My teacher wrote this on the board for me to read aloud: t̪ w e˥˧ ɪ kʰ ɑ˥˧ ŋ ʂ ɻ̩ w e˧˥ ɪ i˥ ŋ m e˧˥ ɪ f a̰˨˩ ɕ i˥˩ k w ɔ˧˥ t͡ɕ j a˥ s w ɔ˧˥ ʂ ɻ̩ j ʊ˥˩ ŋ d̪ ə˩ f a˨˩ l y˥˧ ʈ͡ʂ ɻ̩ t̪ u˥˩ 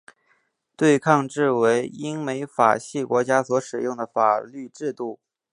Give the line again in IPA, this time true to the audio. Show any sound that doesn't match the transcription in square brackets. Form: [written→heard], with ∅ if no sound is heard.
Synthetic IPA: t̪ w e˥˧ ɪ kʰ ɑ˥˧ ŋ [ʂ→ʈ͡ʂ] ɻ̩ w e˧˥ ɪ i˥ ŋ m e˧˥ ɪ f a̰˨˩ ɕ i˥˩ k w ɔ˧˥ t͡ɕ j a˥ s w ɔ˧˥ ʂ ɻ̩ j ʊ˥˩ ŋ d̪ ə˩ f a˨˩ l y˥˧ ʈ͡ʂ ɻ̩ t̪ u˥˩